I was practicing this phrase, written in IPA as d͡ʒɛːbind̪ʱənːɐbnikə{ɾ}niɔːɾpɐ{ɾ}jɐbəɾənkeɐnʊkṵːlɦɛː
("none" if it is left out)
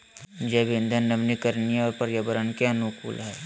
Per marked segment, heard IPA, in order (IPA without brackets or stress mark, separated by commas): ɾ, ɾ